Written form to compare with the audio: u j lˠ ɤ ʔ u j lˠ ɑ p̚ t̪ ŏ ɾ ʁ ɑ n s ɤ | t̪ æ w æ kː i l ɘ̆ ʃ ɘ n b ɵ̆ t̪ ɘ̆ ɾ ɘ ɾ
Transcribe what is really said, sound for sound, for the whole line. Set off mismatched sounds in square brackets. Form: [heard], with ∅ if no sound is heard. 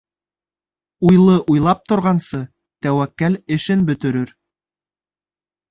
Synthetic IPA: u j lˠ ɤ ʔ u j lˠ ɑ p̚ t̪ ŏ ɾ ʁ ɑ n s ɤ | t̪ æ w æ kː [æ] l ɘ̆ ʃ ɘ n b ɵ̆ t̪ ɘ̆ ɾ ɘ ɾ